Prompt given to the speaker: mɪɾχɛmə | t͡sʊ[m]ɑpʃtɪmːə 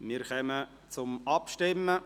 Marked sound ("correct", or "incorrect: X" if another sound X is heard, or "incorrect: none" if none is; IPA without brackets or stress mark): correct